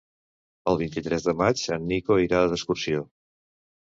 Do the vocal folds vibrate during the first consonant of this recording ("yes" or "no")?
yes